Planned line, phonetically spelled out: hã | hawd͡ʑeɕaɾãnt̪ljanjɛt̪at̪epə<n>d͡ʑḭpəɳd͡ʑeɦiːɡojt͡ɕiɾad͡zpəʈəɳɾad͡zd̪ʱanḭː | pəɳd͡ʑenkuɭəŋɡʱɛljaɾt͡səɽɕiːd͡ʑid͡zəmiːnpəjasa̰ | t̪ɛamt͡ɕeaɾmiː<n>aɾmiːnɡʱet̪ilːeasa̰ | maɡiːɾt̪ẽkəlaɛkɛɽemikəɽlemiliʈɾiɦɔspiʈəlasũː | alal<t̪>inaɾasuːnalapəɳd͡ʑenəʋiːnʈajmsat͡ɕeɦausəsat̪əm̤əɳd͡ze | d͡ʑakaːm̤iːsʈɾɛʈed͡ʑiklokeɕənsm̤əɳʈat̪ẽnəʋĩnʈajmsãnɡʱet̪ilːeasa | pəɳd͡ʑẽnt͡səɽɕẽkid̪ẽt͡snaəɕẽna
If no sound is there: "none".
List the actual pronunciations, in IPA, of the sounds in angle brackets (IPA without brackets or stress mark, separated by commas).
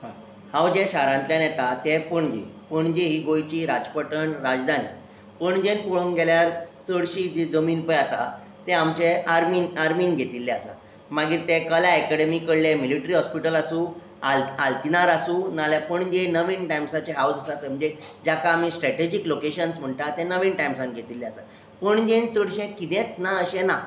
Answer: ɳ, n, t̪